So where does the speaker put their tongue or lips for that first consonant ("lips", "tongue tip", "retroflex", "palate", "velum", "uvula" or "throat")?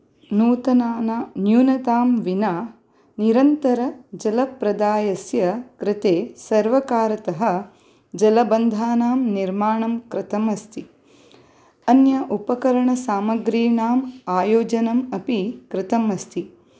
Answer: tongue tip